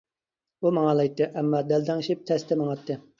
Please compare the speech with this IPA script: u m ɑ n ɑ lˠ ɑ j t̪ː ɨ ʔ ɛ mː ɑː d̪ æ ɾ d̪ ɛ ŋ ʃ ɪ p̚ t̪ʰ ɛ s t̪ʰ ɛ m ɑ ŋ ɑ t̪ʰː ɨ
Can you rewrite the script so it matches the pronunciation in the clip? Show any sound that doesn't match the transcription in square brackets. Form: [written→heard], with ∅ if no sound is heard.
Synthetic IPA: u m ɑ [n→ŋ] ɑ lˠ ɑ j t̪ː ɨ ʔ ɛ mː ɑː d̪ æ [ɾ→l] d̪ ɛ ŋ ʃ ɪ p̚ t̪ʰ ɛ s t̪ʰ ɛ m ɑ ŋ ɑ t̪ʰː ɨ

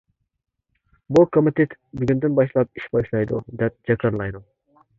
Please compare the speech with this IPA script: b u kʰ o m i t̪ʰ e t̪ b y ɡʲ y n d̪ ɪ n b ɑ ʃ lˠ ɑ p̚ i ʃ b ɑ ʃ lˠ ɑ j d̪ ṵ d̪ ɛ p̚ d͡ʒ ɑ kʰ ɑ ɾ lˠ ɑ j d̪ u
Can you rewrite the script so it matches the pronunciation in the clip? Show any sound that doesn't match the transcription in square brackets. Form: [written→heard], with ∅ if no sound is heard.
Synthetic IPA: b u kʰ o m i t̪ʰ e t̪ b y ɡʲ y n d̪ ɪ n b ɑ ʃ lˠ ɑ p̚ i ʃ b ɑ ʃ lˠ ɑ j d̪ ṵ d̪ ɛ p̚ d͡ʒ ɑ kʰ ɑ ɾ lˠ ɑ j d̪ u

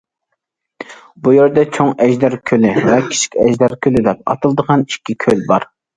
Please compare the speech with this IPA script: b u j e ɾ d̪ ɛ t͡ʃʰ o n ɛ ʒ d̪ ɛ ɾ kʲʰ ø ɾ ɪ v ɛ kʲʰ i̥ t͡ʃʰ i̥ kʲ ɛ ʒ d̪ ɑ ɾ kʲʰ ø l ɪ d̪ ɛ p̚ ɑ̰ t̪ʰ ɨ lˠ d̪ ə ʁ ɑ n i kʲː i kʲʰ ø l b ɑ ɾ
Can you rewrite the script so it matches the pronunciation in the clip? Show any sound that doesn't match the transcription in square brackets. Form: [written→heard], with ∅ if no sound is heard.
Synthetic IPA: b u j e ɾ d̪ ɛ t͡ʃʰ o [n→ŋ] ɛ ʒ d̪ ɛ ɾ kʲʰ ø [ɾ→l] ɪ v ɛ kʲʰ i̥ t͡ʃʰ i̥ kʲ ɛ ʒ d̪ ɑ ɾ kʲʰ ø l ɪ d̪ ɛ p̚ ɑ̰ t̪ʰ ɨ lˠ d̪ ə ʁ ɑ n i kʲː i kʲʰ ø l b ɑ ɾ

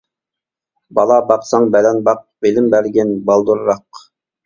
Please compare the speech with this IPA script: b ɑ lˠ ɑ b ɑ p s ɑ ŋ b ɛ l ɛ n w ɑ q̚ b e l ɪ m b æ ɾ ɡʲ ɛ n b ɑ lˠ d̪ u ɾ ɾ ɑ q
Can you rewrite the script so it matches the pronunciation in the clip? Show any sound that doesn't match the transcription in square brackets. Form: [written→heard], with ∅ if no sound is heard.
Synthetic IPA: b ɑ lˠ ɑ b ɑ [p→q] s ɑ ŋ b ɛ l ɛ n [w→b] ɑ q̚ b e l ɪ m b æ ɾ ɡʲ ɛ n b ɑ lˠ d̪ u ɾ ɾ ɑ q

